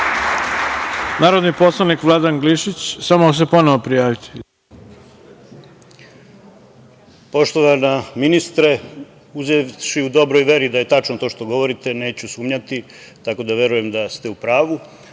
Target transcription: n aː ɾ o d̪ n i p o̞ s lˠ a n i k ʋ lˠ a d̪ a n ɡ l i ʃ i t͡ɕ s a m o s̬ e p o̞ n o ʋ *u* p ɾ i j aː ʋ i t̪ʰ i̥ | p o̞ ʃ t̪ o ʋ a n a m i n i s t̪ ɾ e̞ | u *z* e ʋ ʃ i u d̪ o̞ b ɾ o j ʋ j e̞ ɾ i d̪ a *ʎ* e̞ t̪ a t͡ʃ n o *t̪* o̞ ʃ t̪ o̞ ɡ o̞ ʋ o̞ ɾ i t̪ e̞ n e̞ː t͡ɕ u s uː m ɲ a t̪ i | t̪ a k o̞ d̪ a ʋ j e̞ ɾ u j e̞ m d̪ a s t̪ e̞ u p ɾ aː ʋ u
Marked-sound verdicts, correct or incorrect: incorrect: o, correct, incorrect: j, correct

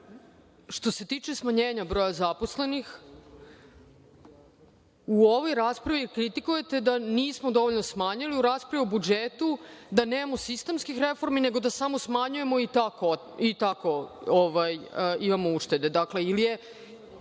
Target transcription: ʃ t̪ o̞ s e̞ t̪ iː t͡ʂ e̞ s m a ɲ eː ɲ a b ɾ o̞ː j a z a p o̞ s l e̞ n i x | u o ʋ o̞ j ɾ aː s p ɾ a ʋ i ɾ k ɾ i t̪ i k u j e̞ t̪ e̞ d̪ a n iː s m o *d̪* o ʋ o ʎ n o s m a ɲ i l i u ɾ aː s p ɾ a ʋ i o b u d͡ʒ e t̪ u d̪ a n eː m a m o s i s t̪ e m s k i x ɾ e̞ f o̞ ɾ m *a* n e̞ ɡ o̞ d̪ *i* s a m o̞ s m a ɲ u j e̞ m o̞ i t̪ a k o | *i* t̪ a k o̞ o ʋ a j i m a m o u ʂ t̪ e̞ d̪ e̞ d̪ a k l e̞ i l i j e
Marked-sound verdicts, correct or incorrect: correct, incorrect: i, incorrect: a, correct

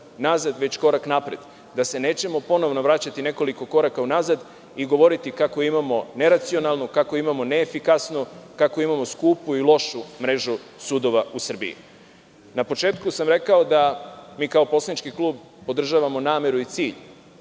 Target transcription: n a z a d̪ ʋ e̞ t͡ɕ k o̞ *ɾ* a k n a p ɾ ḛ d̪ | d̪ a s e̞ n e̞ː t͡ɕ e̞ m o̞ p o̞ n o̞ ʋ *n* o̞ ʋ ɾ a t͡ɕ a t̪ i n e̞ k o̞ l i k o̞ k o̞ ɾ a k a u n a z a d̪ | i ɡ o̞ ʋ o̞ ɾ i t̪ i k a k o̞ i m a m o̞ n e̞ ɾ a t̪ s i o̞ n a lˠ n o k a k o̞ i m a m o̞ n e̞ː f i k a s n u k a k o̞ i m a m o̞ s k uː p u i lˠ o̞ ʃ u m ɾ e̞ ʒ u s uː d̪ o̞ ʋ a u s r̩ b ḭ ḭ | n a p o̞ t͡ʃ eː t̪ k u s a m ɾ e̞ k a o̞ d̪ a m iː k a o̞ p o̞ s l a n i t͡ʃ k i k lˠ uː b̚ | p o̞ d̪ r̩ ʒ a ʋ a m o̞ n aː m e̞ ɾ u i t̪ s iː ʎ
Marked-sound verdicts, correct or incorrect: correct, correct

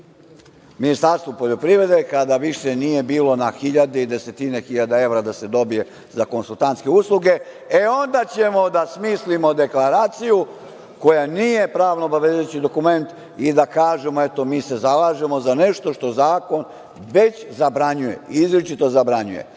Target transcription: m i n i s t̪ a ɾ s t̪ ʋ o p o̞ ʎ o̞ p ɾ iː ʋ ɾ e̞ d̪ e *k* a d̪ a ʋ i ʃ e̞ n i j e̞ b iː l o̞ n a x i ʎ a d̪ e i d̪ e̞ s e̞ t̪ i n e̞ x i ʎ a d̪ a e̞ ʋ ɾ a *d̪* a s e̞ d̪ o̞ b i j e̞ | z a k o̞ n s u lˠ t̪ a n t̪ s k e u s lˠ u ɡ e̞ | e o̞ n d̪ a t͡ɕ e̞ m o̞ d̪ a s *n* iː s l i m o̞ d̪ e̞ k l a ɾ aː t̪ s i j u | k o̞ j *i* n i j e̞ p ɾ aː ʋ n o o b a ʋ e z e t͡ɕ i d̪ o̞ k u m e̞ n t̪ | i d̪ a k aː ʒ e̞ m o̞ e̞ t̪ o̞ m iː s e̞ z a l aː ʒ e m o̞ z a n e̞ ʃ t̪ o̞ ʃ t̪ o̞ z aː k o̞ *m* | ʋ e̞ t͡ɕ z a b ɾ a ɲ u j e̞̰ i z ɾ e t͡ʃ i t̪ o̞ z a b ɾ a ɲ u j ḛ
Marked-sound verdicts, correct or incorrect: correct, correct, incorrect: m, incorrect: a, incorrect: n

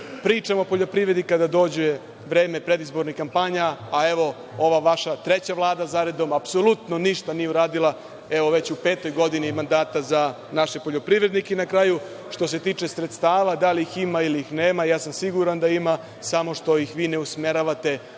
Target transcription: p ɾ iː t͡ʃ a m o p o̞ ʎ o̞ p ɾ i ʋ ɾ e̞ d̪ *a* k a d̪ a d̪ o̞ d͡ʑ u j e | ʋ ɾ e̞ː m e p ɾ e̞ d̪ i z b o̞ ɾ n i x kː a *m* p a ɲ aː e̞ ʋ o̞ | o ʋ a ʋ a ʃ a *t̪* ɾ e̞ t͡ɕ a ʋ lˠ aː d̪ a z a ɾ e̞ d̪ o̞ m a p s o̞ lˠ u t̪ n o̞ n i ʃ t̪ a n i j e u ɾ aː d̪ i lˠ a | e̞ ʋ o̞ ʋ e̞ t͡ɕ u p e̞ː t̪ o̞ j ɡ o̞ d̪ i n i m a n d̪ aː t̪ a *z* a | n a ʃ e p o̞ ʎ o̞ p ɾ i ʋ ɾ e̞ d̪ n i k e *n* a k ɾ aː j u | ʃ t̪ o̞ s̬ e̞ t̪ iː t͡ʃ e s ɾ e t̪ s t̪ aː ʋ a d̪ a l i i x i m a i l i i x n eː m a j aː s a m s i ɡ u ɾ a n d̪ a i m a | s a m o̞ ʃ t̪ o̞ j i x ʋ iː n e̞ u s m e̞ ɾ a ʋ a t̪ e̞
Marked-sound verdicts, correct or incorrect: incorrect: i, correct, correct, correct, correct

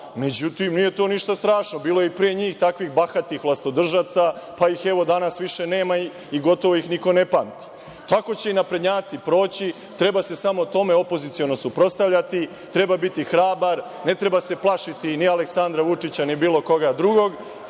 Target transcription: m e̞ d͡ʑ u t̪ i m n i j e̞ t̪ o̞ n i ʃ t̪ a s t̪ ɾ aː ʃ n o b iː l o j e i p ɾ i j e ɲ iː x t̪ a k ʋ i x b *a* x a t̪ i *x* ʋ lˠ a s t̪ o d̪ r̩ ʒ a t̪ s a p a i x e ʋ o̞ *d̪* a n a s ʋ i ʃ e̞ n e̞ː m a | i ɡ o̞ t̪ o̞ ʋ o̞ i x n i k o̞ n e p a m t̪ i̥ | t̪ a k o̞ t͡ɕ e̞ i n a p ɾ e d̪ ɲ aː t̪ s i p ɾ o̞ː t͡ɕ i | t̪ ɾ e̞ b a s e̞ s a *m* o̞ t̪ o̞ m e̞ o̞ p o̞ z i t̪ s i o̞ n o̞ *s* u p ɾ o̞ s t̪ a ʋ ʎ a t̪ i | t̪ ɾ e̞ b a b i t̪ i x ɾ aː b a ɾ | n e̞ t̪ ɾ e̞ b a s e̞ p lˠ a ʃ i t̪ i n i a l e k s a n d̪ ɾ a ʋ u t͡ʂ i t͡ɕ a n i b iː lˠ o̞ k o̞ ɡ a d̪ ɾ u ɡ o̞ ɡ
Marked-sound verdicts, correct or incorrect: correct, correct, correct, correct, correct

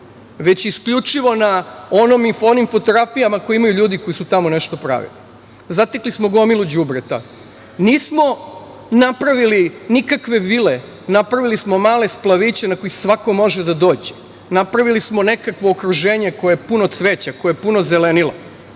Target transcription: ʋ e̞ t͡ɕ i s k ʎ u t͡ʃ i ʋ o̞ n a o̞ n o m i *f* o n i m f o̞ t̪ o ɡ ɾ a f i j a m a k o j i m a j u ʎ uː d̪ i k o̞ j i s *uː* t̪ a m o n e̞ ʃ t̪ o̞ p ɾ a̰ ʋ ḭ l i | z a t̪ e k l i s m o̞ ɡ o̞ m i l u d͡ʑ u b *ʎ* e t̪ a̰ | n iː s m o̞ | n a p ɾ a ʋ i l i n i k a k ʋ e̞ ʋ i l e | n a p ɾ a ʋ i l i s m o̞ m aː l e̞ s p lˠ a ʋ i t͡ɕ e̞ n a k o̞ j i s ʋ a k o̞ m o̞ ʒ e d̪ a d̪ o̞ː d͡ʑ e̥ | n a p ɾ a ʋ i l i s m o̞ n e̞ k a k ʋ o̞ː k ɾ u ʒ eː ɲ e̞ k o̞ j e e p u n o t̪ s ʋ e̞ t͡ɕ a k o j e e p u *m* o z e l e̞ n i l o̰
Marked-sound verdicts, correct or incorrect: correct, incorrect: u, incorrect: ɾ, incorrect: n

